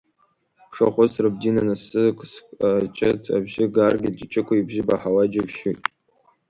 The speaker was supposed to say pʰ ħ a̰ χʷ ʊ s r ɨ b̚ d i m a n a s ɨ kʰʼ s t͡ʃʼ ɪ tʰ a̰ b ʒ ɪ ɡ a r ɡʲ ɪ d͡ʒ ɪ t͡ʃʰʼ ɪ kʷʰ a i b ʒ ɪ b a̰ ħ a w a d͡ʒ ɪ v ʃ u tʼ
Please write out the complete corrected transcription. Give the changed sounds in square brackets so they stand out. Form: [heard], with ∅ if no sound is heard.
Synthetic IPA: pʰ [ʂ] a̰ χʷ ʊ s r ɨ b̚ d i [n] a n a s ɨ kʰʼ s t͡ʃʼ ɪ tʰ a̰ b ʒ ɪ ɡ a r ɡʲ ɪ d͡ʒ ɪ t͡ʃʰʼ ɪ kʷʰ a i b ʒ ɪ b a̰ ħ a w a d͡ʒ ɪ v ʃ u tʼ